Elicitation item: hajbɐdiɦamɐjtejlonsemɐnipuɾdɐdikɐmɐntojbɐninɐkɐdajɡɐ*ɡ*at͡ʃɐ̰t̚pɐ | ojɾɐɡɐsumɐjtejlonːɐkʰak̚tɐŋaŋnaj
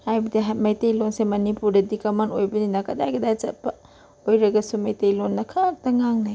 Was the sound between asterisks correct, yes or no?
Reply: no